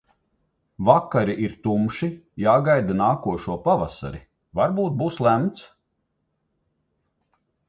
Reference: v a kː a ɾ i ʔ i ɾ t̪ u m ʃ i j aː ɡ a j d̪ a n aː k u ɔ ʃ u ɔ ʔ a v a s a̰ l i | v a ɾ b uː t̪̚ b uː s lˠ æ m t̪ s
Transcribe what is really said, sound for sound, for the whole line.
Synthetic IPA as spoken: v a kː a ɾ i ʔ i ɾ t̪ u m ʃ i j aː ɡ a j d̪ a n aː k u ɔ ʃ u ɔ p a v a s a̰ ɾ i | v a ɾ b uː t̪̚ b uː s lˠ æ m t̪ s